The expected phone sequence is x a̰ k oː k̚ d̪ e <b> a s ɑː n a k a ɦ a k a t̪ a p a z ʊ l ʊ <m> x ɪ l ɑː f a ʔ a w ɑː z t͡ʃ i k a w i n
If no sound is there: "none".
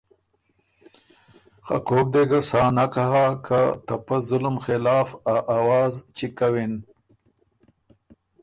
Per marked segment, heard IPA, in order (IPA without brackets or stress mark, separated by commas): ɡ, m